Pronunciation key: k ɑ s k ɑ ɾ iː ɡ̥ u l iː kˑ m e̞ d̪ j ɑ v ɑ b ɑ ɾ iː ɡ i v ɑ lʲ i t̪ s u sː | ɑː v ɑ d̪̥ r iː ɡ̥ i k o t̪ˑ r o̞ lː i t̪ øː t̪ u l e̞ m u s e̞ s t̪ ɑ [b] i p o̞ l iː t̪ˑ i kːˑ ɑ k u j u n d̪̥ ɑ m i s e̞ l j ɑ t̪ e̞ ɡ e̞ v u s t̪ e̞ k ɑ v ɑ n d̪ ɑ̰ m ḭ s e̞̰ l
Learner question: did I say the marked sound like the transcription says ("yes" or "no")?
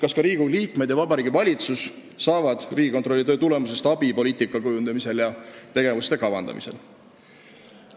yes